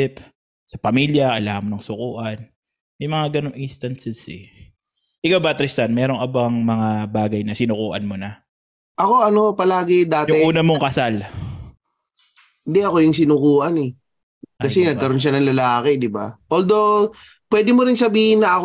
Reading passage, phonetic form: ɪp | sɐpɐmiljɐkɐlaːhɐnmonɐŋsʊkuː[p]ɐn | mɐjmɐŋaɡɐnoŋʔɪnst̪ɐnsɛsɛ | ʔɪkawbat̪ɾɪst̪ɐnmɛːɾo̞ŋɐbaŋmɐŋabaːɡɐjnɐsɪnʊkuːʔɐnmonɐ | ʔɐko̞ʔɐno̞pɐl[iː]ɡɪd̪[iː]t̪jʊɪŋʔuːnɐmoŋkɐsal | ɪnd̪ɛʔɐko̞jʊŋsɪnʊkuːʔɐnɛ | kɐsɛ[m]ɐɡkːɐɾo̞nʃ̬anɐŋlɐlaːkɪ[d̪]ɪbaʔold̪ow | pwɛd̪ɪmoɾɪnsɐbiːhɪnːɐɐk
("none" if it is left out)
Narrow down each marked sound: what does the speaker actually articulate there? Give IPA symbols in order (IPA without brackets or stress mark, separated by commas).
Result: ʔ, aː, aː, n, d̪